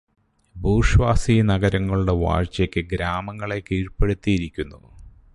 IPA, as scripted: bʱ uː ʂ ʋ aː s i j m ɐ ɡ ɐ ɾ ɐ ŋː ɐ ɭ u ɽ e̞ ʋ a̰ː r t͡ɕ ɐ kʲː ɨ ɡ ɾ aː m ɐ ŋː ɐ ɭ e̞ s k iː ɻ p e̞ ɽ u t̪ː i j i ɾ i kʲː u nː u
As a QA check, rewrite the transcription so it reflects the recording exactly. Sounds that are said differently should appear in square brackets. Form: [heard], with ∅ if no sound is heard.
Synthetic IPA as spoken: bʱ uː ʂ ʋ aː s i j [n] ɐ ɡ ɐ ɾ ɐ ŋː ɐ ɭ u ɽ e̞ ʋ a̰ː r t͡ɕ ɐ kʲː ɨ ɡ ɾ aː m ɐ ŋː ɐ ɭ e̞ [∅] k iː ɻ p e̞ ɽ u t̪ː i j i ɾ i kʲː u nː u